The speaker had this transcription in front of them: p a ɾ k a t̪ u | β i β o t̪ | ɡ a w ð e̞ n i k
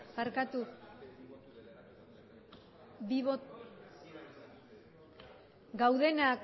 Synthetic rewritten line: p a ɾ k a t̪ u | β i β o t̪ | ɡ a w ð e̞ n a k